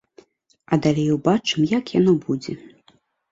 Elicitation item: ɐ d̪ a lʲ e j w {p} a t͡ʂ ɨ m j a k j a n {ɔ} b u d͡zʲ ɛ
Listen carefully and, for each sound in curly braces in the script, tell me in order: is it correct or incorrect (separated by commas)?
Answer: incorrect, correct